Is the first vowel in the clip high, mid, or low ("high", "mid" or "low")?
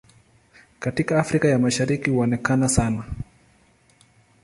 low